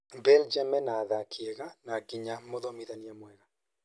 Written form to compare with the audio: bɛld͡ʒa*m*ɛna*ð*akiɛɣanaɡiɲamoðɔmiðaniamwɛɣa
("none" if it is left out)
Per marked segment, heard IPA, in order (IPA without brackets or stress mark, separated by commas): m, ð